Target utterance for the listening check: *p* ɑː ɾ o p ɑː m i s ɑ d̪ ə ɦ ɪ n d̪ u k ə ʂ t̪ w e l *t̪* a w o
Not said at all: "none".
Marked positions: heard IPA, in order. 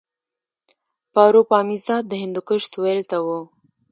p, t̪

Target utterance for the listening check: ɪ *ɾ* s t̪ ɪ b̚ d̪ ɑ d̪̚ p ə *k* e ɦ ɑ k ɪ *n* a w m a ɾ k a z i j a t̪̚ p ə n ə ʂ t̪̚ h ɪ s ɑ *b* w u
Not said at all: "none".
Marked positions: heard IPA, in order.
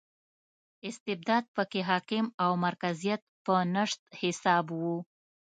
none, k, m, b

